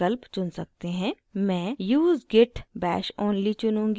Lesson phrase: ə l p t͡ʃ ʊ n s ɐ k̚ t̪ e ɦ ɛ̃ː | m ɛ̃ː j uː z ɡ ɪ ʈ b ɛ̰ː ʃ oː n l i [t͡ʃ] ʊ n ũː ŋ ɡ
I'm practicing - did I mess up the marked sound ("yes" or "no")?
no